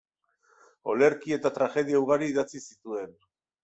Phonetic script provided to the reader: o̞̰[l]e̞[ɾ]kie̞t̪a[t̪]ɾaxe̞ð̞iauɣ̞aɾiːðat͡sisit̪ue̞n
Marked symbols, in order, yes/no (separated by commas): yes, yes, yes